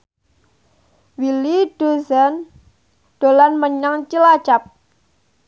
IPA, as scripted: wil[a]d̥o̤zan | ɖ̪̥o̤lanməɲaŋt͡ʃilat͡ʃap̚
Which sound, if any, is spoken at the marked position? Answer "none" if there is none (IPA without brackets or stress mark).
i